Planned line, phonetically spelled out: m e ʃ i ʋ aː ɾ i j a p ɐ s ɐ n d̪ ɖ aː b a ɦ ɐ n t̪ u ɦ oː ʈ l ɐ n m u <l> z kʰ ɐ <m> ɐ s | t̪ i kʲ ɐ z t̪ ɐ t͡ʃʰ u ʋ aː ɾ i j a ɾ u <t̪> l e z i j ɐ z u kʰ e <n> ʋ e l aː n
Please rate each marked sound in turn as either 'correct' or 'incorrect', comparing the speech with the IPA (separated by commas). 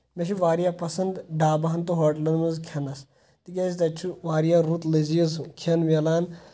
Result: incorrect, incorrect, correct, correct